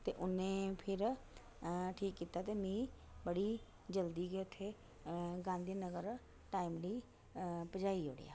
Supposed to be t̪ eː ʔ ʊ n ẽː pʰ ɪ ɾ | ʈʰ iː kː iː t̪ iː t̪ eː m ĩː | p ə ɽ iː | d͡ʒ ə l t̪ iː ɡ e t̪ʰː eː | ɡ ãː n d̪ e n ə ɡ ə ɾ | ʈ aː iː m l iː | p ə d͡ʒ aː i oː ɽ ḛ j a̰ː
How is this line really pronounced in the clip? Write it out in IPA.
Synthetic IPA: t̪ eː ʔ ʊ n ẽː pʰ ɪ ɾ | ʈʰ iː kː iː t̪ aː t̪ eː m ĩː | b ə ɽ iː | d͡ʒ ə l d̪ iː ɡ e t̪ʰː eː | ɡ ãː n d̪ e n ə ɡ ə ɾ | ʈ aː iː m l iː | p ə d͡ʒ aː i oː ɽ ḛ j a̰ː